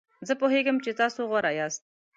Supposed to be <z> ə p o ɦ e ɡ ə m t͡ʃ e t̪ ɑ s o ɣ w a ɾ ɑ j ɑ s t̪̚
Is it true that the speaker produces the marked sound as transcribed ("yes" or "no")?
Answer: yes